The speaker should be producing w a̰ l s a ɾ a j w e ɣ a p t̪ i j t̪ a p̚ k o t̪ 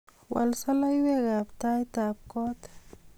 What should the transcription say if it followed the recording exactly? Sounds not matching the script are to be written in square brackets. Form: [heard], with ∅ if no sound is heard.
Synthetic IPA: w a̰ l s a [l] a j w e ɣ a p t̪ [a] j t̪ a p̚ k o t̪